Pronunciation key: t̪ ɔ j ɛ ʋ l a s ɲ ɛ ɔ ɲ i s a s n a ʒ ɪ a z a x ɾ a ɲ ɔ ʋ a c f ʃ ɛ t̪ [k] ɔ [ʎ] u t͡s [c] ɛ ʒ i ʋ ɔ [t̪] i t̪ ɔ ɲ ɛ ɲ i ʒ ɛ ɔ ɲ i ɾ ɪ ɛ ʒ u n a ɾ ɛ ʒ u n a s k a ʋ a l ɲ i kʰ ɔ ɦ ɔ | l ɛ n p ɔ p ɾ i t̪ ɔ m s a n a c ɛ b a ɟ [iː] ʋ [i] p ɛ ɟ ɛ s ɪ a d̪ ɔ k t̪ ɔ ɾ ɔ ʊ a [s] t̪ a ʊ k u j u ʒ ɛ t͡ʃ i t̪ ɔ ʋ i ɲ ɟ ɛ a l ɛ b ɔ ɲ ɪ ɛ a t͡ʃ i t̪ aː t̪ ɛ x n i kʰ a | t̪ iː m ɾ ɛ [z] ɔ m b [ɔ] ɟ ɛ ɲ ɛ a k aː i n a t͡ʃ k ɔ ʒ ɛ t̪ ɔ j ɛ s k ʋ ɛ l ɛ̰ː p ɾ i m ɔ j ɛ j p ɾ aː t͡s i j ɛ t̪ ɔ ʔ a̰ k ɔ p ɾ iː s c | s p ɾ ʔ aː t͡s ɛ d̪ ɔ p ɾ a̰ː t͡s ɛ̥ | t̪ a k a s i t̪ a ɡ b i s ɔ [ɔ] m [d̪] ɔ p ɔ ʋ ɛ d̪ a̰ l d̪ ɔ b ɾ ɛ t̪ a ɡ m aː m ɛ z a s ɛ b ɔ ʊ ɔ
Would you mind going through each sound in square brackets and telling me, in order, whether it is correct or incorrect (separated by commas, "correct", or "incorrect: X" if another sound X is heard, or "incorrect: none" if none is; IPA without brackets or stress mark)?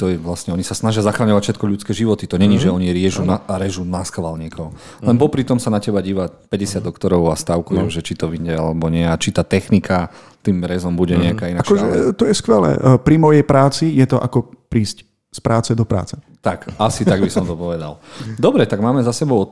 correct, correct, incorrect: k, correct, correct, incorrect: a, correct, correct, incorrect: u, correct, incorrect: t̪